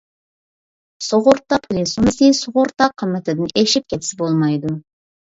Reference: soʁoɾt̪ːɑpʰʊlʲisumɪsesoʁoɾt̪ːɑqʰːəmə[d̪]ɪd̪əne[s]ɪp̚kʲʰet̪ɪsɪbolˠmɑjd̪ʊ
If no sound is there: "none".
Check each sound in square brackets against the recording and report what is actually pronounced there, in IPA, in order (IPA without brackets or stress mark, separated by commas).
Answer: t̪, ʃ